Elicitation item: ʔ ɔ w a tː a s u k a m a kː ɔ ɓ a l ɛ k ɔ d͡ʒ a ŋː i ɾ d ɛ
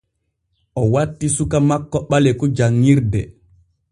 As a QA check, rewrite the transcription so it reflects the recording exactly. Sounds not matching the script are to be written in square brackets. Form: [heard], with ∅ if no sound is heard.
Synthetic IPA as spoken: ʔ ɔ w a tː [i] s u k a m a kː ɔ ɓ a l ɛ k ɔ d͡ʒ a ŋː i ɾ d ɛ